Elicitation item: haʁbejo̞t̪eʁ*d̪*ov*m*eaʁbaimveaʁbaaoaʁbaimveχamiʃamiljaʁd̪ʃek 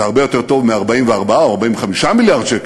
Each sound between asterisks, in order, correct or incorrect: incorrect: t̪, correct

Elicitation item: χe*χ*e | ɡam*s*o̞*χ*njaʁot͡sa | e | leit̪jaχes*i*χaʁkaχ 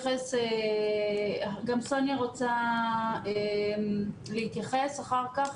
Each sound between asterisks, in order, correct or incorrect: incorrect: s, correct, incorrect: none, incorrect: a

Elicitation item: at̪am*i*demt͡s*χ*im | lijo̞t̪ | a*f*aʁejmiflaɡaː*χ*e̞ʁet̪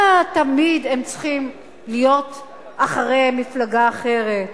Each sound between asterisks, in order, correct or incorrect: correct, correct, incorrect: χ, correct

